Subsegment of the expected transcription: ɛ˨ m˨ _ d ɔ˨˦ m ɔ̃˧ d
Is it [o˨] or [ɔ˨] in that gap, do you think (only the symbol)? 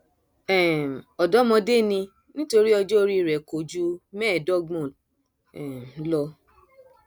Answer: ɔ˨